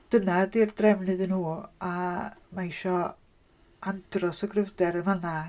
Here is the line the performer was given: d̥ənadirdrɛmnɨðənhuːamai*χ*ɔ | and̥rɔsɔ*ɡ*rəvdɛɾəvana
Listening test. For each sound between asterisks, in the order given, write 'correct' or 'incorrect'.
incorrect, correct

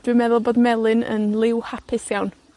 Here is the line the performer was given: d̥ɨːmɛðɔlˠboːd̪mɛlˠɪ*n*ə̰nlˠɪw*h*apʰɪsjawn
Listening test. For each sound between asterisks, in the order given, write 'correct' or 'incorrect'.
correct, correct

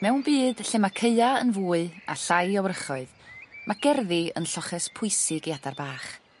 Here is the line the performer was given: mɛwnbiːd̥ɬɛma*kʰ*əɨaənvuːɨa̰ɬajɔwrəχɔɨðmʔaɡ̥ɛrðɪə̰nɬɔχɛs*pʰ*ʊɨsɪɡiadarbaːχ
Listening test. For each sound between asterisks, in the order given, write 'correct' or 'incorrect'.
correct, correct

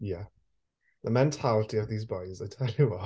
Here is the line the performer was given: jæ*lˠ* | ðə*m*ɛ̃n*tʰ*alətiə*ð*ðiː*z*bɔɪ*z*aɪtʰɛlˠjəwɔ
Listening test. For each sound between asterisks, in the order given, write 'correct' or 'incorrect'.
incorrect, correct, correct, incorrect, correct, correct

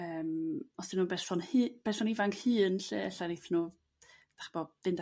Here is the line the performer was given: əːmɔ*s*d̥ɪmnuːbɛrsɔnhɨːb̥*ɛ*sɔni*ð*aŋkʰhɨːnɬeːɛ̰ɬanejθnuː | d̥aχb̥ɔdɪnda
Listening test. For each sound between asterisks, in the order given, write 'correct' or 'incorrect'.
correct, correct, incorrect

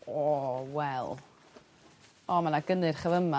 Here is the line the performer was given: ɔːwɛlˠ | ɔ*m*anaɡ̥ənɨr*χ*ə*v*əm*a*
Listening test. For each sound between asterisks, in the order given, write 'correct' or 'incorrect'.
correct, correct, correct, correct

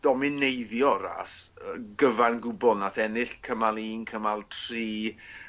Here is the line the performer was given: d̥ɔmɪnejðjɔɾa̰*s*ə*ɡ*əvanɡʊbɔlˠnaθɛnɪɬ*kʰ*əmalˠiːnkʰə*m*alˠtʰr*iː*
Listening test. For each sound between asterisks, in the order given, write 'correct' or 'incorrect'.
correct, correct, correct, correct, correct

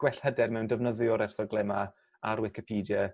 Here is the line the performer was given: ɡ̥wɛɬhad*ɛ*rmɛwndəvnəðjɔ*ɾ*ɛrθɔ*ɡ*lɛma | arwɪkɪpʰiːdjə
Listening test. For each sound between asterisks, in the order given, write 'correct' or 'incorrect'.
correct, correct, correct

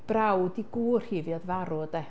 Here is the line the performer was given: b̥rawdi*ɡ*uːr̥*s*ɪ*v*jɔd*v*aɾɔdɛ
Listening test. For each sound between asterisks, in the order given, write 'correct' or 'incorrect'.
correct, incorrect, correct, correct

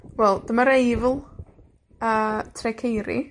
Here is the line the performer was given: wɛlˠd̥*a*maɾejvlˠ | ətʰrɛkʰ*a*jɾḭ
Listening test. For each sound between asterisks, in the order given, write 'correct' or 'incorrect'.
incorrect, incorrect

